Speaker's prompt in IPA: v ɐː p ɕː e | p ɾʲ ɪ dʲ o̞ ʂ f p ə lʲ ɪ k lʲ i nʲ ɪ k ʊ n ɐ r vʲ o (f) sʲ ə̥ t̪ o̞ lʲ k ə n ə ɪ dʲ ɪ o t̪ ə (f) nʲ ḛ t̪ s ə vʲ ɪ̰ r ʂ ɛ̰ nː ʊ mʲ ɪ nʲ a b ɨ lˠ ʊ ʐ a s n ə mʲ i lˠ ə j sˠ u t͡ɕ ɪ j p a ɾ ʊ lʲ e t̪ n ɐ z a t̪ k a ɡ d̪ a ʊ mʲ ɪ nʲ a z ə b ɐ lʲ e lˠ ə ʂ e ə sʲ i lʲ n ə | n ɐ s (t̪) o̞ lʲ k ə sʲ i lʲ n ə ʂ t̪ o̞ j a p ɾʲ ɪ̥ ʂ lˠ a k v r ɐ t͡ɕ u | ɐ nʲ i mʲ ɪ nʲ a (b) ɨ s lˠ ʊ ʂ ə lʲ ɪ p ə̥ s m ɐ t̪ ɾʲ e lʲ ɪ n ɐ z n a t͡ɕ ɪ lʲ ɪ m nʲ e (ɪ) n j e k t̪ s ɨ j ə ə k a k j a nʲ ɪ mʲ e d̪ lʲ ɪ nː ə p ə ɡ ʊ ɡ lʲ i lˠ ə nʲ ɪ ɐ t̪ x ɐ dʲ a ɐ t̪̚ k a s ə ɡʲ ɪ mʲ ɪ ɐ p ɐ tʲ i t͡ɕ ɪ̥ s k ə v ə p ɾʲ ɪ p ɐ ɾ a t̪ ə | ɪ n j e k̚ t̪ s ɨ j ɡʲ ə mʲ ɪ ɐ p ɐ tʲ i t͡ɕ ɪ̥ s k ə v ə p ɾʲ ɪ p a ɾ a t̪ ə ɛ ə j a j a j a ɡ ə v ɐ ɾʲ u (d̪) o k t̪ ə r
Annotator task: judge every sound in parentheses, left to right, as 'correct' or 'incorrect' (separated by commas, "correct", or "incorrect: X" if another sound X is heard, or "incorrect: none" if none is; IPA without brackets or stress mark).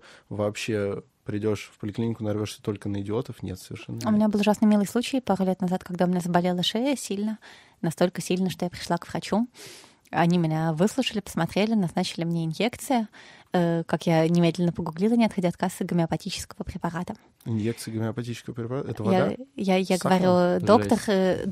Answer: incorrect: ʂ, correct, correct, incorrect: v, correct, correct